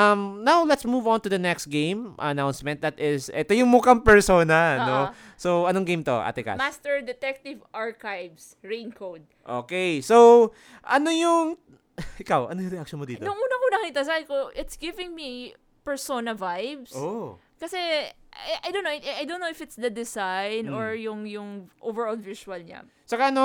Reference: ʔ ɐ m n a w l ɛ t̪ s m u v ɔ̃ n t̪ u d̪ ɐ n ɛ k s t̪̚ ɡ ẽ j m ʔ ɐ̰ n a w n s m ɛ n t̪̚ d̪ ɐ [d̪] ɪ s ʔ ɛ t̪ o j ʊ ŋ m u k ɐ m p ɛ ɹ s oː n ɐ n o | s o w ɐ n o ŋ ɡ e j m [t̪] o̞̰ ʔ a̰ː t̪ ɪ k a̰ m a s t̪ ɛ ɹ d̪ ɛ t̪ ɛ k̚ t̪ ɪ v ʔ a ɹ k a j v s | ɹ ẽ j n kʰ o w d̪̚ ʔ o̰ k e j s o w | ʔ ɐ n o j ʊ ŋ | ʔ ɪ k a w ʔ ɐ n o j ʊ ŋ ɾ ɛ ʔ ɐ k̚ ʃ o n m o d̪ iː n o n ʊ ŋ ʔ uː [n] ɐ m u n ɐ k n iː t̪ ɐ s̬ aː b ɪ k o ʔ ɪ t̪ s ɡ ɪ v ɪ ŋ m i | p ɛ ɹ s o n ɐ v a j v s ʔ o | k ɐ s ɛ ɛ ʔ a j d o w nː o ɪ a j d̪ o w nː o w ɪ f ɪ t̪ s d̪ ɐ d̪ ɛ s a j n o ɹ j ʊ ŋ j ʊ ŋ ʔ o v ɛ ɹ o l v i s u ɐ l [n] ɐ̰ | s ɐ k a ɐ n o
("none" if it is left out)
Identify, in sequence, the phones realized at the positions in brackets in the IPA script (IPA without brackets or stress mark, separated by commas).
t̪, t̪, n, ɲ